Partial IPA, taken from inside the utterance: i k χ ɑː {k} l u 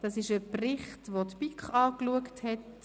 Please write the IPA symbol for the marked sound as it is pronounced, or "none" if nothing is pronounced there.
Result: k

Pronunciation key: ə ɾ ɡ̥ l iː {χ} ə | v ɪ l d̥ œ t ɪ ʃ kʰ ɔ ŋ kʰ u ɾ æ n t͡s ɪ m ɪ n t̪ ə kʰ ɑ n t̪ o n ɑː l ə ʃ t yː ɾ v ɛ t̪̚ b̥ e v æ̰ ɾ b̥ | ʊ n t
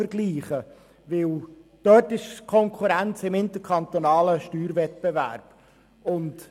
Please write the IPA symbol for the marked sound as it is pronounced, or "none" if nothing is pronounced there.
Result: χ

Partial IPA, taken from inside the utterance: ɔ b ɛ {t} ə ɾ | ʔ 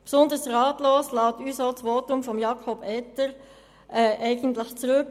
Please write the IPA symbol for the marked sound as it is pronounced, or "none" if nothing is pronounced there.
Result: t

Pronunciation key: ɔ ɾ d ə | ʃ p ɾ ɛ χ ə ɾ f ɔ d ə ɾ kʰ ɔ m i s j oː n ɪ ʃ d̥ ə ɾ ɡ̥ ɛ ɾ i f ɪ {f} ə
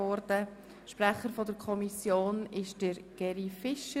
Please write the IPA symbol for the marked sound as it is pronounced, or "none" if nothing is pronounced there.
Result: ʃ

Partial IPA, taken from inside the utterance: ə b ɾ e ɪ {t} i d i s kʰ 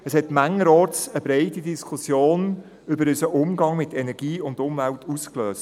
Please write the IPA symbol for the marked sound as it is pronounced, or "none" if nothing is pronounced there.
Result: t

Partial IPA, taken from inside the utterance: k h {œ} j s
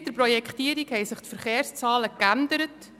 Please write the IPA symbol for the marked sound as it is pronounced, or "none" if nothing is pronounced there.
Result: ɛ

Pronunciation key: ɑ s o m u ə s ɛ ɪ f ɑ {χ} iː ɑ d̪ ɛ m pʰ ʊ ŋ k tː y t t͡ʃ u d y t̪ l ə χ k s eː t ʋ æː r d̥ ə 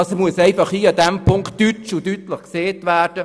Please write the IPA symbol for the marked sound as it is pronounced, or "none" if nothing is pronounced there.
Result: χ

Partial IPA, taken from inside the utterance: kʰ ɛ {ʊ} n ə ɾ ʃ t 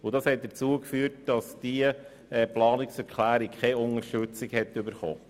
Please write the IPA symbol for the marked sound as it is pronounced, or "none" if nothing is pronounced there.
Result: ʊ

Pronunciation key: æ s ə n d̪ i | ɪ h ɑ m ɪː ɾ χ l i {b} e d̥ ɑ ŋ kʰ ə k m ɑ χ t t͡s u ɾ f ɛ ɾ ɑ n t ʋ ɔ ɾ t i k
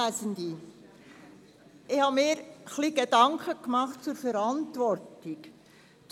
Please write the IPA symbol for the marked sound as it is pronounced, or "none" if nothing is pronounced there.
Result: ɡ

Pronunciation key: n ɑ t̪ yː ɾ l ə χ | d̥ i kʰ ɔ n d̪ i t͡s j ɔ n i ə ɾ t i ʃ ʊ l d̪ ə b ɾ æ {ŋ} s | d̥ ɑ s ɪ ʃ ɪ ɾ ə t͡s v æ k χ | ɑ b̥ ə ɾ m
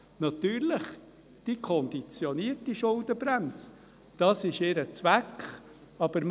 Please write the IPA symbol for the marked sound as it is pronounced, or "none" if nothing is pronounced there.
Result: m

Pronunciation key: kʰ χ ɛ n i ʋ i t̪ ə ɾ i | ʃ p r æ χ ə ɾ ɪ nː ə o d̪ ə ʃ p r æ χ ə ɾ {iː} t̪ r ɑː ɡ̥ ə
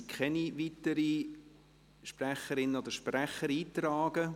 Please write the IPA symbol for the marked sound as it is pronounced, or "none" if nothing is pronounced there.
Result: iː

